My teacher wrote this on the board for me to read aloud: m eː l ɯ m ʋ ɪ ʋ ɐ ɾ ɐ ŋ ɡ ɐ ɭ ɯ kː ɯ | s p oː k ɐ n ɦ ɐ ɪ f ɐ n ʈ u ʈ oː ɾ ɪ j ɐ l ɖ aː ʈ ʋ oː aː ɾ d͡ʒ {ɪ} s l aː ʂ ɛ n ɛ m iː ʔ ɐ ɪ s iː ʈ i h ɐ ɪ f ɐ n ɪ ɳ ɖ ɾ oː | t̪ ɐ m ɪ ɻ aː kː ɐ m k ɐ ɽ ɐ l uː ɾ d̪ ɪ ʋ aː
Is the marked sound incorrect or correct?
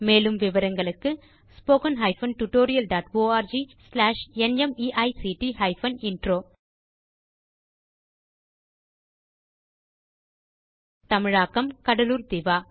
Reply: incorrect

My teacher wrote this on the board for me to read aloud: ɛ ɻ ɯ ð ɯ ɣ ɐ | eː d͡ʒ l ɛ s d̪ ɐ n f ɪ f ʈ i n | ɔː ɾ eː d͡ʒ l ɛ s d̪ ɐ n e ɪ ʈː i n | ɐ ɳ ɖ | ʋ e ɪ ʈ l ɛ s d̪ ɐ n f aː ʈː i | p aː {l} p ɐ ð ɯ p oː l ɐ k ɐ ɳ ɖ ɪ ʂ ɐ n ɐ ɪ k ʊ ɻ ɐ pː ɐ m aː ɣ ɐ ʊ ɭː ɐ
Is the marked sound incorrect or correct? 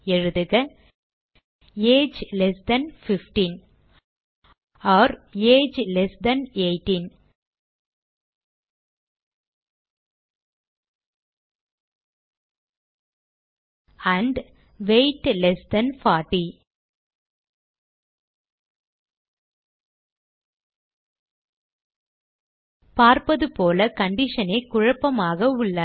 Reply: incorrect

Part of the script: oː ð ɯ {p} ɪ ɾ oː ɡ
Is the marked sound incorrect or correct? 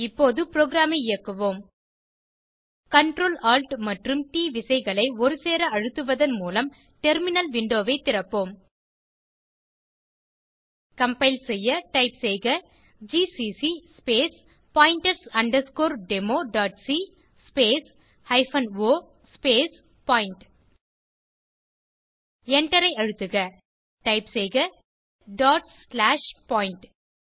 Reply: correct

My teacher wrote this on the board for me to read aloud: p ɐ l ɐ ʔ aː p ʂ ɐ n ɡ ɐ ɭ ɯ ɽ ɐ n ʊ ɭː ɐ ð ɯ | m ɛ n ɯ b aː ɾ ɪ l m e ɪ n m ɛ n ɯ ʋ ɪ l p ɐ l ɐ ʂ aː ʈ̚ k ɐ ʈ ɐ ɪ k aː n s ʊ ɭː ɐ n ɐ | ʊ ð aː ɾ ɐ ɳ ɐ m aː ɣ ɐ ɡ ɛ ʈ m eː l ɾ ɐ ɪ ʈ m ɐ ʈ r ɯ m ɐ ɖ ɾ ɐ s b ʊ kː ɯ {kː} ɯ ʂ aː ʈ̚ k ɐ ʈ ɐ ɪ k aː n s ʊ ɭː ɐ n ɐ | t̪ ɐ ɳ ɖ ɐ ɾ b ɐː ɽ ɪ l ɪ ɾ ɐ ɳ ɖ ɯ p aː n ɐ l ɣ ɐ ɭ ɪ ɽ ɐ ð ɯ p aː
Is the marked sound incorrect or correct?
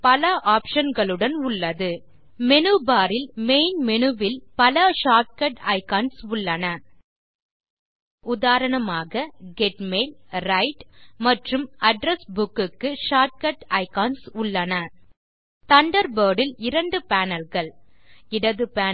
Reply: correct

